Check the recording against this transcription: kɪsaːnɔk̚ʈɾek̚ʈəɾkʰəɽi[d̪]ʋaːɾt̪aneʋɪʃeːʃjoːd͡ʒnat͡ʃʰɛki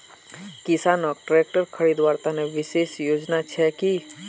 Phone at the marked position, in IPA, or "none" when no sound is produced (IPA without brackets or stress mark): d̪